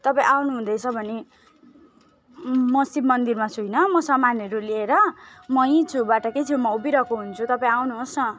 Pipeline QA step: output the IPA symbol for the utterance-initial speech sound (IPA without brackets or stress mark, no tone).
t̪